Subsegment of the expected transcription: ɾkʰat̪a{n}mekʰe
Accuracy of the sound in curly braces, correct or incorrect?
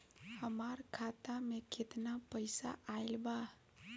incorrect